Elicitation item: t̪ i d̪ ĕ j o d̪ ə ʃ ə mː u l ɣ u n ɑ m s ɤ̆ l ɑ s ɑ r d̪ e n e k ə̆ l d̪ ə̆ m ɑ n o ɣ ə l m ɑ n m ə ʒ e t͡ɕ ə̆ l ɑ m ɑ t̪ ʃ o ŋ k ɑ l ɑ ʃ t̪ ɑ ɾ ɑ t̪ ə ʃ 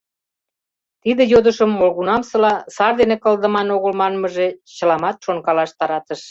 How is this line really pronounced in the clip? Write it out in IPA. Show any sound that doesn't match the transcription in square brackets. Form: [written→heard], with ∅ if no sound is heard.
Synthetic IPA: t̪ i d̪ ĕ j o d̪ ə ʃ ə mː [u→o] l ɣ u n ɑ m s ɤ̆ l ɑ s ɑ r d̪ e n e k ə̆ l d̪ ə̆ m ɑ n o ɣ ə l m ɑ n m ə ʒ e t͡ɕ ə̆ l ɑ m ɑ t̪ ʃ o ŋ k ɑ l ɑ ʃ t̪ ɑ ɾ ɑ t̪ ə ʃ